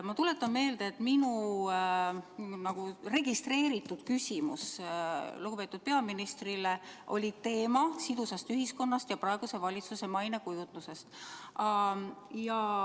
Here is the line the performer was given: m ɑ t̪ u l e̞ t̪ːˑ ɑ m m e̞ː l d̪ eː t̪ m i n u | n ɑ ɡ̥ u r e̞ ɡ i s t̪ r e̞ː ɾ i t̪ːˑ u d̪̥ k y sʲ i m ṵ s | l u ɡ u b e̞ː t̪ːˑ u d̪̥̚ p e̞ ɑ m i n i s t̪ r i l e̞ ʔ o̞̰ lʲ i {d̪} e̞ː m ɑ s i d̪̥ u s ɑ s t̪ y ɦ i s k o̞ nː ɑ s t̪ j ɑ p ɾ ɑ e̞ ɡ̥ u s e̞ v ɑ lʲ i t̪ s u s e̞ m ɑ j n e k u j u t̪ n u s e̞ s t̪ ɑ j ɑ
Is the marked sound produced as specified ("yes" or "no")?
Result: no